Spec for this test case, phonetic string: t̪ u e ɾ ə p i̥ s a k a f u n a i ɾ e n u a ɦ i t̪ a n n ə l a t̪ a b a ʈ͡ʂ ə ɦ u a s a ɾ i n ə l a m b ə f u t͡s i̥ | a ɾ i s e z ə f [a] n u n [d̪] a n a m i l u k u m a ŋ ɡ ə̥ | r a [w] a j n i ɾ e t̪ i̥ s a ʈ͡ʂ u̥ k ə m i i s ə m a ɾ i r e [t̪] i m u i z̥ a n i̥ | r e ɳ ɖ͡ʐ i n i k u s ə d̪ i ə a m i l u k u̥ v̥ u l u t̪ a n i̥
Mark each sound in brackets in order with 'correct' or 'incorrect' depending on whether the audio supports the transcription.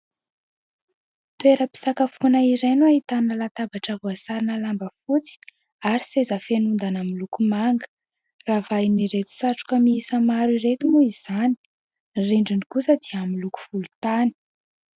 incorrect: e, correct, incorrect: v, correct

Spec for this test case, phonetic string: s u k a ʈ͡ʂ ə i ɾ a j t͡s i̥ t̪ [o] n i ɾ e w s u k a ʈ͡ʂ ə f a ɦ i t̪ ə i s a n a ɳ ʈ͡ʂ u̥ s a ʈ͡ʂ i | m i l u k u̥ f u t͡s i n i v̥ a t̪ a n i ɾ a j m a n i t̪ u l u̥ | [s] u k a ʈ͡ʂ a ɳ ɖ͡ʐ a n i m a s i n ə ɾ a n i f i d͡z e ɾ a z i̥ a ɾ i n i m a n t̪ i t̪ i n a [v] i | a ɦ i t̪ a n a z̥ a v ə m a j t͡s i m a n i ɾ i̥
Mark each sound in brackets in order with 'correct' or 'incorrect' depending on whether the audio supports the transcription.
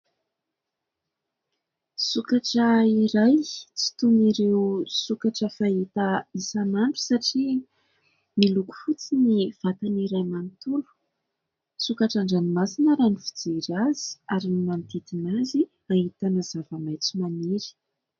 incorrect: u, correct, incorrect: z

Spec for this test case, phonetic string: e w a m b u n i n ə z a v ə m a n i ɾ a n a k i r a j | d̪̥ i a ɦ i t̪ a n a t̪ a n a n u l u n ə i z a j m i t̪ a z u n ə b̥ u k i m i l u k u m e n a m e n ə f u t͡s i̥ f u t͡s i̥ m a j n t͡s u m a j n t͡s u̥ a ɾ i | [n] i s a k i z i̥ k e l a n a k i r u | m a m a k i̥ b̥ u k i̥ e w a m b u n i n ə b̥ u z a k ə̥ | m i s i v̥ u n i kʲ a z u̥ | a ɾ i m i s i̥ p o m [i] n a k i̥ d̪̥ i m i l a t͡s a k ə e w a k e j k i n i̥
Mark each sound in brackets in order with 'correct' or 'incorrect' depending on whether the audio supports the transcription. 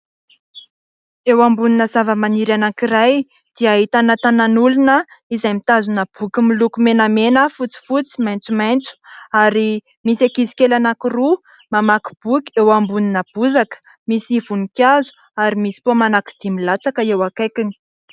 incorrect: m, incorrect: a

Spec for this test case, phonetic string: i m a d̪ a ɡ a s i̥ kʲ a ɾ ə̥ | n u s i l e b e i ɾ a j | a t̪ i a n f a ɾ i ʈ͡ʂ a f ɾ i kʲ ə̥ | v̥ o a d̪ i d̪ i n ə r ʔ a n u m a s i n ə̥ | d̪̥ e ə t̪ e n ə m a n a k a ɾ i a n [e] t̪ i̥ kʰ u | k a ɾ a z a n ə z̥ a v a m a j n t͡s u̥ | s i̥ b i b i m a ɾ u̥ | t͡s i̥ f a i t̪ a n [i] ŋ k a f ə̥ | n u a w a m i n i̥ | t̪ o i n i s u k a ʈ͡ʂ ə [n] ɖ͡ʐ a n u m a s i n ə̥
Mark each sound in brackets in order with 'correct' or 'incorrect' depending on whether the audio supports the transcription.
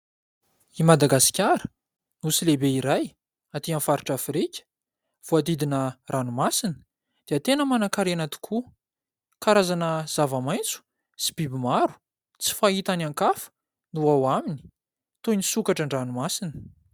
incorrect: a, incorrect: a, incorrect: ɳ

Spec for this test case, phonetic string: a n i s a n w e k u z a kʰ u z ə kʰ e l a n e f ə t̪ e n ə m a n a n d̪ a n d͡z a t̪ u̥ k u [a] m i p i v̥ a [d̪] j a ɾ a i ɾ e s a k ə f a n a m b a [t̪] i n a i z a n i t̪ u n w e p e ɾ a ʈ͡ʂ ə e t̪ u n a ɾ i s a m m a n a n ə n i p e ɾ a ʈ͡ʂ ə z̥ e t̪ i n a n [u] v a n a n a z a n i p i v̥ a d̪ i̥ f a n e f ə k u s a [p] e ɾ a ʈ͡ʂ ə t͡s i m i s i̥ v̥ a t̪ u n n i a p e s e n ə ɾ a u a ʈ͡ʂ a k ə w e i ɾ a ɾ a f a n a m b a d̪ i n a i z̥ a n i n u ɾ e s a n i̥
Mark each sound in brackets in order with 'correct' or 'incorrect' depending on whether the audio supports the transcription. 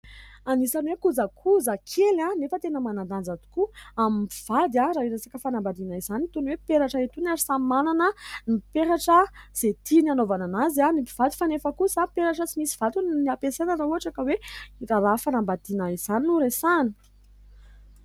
correct, correct, incorrect: d̪, incorrect: o, correct

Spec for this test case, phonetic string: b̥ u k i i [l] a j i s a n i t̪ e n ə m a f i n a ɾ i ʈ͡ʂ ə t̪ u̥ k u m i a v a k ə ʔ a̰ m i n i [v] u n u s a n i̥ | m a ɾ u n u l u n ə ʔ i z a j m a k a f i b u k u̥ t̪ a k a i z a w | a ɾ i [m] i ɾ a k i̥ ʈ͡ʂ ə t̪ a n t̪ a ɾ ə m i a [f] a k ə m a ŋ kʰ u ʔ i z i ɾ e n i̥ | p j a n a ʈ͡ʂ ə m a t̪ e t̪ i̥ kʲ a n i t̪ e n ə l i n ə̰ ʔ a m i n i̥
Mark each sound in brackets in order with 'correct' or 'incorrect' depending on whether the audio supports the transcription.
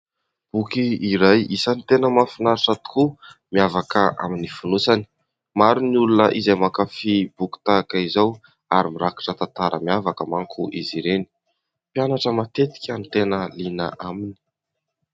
incorrect: ɾ, incorrect: f, correct, incorrect: v

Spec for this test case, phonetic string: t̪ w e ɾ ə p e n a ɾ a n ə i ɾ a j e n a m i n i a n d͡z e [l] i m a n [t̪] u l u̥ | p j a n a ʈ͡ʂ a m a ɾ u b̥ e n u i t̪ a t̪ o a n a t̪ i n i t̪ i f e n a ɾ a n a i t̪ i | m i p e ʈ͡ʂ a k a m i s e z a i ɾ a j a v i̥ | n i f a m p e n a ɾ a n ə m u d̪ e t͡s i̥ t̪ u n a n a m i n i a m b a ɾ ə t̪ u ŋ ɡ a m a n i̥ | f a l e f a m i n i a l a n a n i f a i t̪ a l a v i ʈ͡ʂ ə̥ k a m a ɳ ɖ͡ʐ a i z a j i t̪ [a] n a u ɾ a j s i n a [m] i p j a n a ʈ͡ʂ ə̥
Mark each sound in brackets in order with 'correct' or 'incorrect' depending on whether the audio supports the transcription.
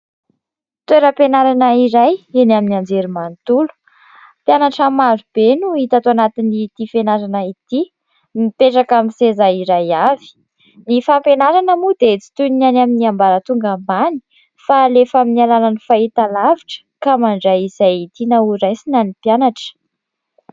incorrect: ɾ, correct, incorrect: i, incorrect: n

